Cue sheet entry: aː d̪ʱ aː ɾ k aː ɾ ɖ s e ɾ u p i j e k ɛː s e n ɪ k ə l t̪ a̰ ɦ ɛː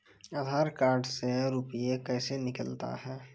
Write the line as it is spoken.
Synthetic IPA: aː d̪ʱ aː ɾ k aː ɾ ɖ s e ɾ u p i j e k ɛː s e n ɪ k ə l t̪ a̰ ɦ ɛː